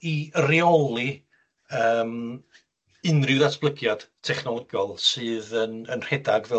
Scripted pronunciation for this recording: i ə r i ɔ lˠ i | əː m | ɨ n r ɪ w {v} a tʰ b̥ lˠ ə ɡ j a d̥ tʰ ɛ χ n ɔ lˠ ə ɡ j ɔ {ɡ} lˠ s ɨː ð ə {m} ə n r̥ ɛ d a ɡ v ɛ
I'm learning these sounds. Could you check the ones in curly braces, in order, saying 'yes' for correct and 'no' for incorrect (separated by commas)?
no, no, no